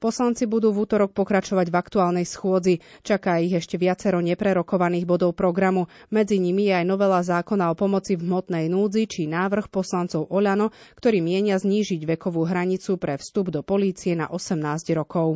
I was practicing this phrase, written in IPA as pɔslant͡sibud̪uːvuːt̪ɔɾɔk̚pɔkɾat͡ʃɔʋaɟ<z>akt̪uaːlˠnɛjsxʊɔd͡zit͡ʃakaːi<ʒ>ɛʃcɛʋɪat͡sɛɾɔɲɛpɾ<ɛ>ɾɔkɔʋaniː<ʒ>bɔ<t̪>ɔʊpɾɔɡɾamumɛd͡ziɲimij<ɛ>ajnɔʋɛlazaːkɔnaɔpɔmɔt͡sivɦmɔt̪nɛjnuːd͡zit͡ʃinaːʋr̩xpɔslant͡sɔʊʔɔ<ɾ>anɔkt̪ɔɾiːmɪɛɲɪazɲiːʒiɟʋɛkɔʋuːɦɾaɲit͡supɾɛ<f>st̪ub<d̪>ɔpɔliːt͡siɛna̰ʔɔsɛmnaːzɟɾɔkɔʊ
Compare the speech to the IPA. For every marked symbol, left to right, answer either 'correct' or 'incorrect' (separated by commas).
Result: incorrect, incorrect, correct, incorrect, incorrect, correct, incorrect, correct, correct